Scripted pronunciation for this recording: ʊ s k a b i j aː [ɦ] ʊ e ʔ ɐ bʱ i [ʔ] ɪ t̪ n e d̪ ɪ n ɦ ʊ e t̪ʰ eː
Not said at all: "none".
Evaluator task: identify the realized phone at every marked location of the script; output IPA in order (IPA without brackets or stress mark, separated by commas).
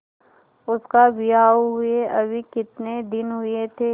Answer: ɦ, k